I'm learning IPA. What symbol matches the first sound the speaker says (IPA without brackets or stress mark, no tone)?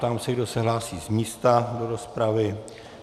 t̪